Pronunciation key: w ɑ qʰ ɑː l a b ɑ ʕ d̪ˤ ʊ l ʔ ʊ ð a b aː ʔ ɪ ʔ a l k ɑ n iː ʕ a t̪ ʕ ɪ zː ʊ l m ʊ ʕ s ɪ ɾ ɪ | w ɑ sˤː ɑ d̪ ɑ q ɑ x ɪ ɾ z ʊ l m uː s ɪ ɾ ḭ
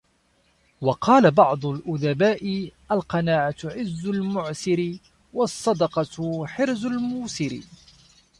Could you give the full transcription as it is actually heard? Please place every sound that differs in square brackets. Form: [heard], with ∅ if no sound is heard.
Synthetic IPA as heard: w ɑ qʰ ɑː l a b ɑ ʕ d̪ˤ ʊ l ʔ ʊ ð a b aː ʔ ɪ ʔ a l [q] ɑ n [aː] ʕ a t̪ ʕ ɪ zː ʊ l m ʊ ʕ s ɪ ɾ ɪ | w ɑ sˤː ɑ d̪ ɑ q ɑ [ħ] ɪ ɾ z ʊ l m uː s ɪ ɾ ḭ